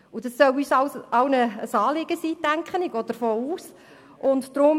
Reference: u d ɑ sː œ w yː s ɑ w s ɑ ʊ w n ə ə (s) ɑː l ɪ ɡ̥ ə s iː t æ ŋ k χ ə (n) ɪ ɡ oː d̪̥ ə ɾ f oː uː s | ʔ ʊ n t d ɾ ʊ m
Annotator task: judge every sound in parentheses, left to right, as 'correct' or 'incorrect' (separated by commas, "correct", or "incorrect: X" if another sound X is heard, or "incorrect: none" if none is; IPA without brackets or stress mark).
correct, correct